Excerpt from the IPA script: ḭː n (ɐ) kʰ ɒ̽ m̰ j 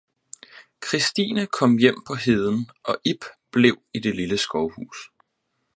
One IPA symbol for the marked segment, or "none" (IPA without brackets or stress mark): ə